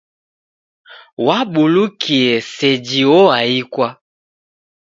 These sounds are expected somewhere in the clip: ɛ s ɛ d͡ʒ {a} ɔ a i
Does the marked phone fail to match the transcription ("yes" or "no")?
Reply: yes